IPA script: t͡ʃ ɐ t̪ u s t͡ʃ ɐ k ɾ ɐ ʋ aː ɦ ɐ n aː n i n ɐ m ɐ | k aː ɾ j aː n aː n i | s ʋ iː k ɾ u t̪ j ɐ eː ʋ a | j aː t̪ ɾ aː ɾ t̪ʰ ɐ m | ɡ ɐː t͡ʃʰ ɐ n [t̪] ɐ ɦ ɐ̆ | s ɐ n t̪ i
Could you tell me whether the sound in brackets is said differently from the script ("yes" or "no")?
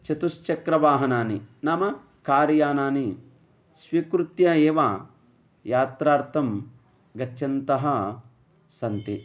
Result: no